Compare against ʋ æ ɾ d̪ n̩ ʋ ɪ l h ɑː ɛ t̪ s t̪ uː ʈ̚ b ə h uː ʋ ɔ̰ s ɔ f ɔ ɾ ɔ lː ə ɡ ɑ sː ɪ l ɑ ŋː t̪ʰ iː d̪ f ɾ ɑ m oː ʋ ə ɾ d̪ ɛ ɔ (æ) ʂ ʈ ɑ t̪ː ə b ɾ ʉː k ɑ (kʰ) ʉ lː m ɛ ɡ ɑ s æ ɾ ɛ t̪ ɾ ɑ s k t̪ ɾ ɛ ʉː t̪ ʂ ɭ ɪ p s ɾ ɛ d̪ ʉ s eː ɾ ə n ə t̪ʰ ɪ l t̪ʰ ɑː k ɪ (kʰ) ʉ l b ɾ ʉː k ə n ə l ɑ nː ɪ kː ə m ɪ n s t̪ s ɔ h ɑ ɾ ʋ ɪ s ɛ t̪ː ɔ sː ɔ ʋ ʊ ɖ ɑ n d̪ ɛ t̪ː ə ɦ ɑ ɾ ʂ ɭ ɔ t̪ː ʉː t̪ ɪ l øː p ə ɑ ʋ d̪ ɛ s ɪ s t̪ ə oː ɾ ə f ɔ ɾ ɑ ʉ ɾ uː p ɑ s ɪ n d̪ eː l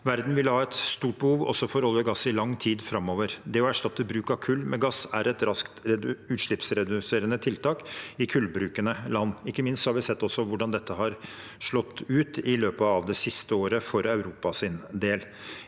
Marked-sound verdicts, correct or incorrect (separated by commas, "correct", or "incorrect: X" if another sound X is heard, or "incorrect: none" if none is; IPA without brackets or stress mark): correct, correct, correct